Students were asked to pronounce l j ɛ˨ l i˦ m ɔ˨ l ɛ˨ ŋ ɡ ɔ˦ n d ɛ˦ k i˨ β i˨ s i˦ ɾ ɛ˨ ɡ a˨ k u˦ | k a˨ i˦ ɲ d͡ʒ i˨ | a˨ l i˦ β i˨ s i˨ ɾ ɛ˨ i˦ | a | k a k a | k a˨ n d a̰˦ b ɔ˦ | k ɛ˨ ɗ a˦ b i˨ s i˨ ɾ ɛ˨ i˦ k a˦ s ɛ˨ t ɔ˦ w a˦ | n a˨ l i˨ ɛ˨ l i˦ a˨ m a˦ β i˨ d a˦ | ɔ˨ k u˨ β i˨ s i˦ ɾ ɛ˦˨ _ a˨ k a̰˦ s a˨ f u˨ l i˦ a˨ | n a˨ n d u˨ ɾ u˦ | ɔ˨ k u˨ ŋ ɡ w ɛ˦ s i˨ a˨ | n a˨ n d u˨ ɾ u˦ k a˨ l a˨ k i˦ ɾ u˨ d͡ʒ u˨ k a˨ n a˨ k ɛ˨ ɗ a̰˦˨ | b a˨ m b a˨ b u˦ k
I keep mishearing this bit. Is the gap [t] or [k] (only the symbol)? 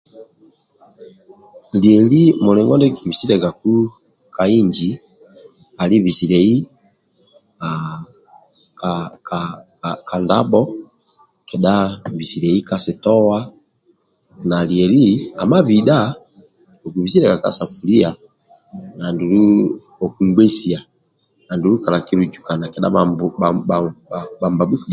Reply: k